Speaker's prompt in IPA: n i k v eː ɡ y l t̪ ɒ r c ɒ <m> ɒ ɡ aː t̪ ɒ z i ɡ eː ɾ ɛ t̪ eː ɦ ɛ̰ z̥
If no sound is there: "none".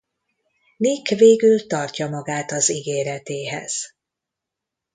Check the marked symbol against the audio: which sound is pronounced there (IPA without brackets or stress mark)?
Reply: m